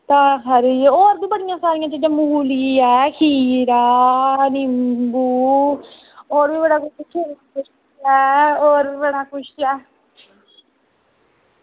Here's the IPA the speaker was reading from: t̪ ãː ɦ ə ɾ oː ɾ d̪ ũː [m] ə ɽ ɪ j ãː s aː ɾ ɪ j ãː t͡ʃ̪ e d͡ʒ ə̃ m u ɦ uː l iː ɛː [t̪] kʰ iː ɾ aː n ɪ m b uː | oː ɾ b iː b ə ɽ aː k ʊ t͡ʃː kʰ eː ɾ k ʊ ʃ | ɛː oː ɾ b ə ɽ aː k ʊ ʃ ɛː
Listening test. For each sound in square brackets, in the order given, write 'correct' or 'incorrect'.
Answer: incorrect: b, incorrect: none

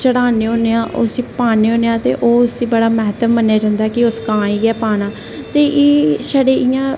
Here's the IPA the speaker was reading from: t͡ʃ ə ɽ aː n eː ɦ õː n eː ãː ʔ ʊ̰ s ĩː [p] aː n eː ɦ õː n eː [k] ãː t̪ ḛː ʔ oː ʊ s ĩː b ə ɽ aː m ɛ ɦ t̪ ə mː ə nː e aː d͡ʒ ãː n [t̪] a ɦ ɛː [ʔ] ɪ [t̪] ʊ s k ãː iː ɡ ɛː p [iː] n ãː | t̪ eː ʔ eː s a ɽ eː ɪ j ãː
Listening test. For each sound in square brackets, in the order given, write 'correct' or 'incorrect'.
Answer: correct, incorrect: none, incorrect: d̪, incorrect: k, incorrect: none, incorrect: aː

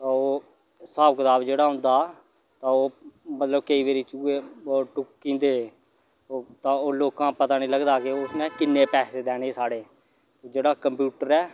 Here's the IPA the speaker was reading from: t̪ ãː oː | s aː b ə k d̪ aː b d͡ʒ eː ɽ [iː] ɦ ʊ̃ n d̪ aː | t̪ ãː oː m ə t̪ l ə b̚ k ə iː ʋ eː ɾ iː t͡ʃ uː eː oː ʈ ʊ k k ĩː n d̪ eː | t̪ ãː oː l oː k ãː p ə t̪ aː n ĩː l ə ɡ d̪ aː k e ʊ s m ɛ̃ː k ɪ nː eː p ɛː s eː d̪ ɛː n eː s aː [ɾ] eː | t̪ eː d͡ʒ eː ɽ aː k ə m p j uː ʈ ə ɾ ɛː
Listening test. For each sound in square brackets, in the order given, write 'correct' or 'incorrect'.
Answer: incorrect: aː, incorrect: ɽ

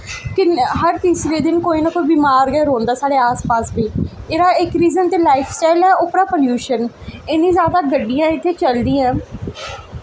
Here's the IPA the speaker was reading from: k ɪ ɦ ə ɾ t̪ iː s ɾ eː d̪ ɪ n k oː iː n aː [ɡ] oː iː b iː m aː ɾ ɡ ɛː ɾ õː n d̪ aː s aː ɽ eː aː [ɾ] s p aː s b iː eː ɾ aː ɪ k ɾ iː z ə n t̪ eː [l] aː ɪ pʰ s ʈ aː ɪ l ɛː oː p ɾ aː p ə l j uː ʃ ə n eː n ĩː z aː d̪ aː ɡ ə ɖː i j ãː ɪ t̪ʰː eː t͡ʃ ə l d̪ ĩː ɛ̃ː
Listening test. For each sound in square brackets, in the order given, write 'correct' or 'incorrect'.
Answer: incorrect: k, incorrect: none, correct

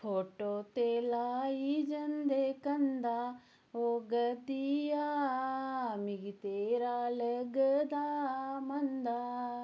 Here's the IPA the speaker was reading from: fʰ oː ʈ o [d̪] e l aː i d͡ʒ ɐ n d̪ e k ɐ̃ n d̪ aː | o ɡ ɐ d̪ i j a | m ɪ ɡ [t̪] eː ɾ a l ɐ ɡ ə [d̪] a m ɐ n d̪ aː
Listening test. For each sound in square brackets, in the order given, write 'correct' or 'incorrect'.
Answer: incorrect: t̪, correct, correct

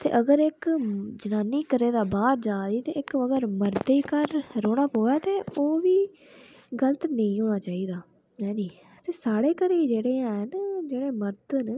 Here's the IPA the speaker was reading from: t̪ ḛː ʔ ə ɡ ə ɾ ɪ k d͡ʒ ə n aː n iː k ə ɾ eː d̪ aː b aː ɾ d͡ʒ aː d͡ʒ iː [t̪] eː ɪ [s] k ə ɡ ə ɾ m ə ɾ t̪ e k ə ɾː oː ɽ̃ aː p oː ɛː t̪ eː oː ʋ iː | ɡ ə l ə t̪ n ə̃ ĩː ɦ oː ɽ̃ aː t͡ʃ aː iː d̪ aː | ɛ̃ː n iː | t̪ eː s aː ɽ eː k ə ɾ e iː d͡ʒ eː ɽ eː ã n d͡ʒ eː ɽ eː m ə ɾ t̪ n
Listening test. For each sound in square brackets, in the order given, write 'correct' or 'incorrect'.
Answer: correct, incorrect: none

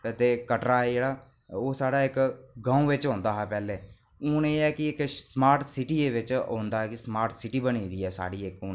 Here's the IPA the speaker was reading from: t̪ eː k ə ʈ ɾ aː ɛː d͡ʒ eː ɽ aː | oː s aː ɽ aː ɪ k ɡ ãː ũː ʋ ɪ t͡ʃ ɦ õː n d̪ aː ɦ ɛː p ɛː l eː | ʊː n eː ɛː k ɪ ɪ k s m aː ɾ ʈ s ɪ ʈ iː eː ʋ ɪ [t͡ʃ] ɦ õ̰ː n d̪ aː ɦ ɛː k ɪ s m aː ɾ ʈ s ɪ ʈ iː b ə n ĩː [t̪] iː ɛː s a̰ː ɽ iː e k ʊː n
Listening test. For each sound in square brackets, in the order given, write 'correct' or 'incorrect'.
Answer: correct, incorrect: d̪

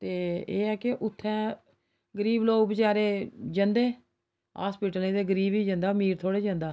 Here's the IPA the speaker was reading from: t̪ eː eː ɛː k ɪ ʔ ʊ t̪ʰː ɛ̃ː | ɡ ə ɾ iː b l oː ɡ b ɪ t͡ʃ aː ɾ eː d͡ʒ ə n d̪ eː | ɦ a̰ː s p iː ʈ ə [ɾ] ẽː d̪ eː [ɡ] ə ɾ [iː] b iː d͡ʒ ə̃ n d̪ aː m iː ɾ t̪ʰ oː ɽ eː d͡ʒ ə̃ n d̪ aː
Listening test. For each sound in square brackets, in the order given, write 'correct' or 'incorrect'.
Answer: incorrect: l, correct, correct

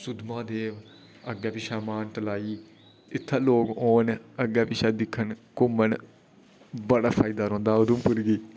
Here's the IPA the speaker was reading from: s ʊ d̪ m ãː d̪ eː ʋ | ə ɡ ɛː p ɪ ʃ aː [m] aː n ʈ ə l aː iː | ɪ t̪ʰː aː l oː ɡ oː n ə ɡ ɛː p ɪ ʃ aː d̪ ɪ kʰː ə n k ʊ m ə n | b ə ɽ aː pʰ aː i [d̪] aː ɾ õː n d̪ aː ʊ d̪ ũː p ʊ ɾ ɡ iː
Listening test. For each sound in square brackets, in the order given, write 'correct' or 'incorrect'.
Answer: correct, correct

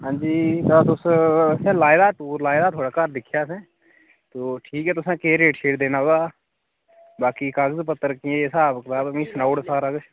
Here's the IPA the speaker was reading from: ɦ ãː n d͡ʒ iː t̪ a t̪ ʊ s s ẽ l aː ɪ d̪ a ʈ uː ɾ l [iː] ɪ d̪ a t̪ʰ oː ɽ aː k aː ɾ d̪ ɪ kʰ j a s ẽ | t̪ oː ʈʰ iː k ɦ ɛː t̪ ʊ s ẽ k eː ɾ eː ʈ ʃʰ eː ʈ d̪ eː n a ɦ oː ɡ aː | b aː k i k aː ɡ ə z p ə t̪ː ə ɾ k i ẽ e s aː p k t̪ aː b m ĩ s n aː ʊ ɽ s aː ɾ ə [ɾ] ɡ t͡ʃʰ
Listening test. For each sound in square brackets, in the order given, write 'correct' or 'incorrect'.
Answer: incorrect: aː, incorrect: none

